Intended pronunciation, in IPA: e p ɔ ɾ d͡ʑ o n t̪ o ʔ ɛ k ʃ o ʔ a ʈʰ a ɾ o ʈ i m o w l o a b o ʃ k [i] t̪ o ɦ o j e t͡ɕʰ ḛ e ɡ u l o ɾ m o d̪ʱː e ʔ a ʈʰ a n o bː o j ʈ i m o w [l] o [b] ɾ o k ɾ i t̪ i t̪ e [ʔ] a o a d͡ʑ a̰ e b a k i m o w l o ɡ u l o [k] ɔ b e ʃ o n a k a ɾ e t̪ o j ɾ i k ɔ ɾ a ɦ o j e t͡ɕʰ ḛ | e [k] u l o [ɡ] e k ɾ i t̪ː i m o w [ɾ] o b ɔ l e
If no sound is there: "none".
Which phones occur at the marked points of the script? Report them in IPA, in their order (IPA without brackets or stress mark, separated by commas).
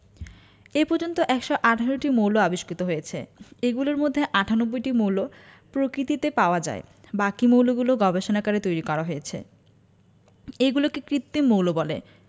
i, l, p, p, ɡ, ɡ, k, l